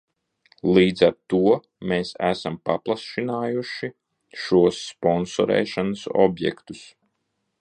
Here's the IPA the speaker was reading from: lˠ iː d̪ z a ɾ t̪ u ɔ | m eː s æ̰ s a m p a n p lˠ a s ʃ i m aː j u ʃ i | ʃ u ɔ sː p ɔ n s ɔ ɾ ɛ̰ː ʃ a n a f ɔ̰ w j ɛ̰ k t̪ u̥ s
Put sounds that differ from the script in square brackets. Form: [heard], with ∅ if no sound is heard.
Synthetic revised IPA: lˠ iː d̪ z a ɾ t̪ u ɔ | m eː s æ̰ s a m p a [∅] p lˠ a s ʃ i [n] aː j u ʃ i | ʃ u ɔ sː p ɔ n s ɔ ɾ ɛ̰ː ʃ a n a [s] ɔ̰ [b] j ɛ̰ k t̪ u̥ s